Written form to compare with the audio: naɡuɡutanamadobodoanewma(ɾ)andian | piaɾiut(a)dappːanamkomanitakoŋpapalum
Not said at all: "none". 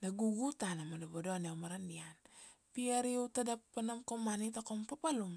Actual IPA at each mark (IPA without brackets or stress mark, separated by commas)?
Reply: ɾ, a